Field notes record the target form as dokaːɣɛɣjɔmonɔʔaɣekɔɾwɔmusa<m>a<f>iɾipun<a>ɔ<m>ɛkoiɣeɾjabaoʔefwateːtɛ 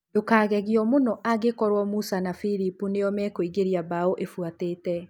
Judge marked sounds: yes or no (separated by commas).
no, yes, no, yes